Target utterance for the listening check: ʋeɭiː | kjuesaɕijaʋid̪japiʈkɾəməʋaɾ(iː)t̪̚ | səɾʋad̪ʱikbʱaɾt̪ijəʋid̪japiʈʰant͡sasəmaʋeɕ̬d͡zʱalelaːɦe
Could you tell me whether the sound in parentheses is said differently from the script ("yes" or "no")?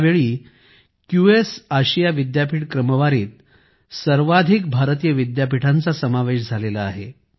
no